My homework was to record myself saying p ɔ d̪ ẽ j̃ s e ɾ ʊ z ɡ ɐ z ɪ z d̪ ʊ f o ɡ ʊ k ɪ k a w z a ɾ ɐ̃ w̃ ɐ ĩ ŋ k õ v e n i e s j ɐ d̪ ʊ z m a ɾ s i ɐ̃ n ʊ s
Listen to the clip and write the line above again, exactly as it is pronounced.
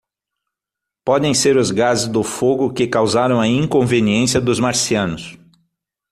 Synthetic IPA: p ɔ d̪ ẽ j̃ s e ɾ ʊ z ɡ a z ɪ z d̪ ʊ f o ɡ ʊ k ɪ k a w z a ɾ ɐ̃ w̃ ɐ ĩ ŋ k õ v e n i ẽ s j ɐ d̪ ʊ z m a ɾ s i ɐ̃ n ʊ s